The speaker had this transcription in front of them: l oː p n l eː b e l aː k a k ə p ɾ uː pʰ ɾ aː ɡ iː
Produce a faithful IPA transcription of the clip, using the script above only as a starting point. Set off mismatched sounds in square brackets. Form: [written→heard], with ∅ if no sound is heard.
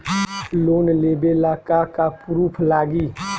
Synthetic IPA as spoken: l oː [p→∅] n l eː b e l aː k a k [ə→a] p ɾ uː pʰ [ɾ→l] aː ɡ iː